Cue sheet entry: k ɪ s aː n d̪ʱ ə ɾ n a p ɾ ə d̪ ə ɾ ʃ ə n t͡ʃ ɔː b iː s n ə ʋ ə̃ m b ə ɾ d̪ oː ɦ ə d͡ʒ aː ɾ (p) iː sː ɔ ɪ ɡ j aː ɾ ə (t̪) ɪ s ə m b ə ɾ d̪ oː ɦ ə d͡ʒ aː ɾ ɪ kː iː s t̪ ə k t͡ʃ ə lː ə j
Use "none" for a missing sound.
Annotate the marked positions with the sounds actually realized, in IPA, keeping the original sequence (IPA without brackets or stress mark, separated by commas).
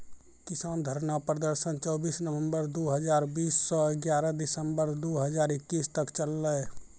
b, d̪